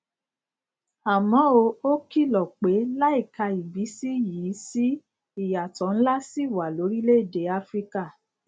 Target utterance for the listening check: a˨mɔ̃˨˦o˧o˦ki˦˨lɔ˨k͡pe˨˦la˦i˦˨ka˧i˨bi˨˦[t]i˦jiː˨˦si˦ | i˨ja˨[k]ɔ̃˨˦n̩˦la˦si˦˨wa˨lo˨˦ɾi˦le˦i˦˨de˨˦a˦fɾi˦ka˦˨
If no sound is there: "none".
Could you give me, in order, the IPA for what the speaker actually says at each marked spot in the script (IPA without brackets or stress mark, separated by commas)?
s, t